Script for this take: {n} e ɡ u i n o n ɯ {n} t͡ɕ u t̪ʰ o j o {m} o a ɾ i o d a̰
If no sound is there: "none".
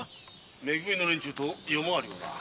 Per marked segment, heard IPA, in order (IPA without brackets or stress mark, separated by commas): m, n, m